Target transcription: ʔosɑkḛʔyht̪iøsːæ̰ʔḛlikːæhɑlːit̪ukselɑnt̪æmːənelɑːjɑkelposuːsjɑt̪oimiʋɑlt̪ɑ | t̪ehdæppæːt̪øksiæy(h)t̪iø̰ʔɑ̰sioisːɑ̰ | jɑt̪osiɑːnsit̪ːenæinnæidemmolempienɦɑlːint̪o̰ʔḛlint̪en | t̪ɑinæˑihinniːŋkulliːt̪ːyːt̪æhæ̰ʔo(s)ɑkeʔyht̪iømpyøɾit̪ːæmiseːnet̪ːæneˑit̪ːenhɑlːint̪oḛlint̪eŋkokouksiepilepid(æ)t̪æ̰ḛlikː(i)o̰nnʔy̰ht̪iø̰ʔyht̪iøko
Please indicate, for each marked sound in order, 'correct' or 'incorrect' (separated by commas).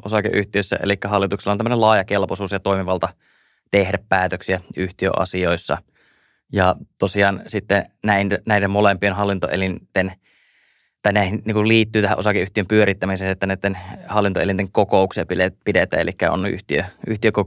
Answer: correct, correct, incorrect, incorrect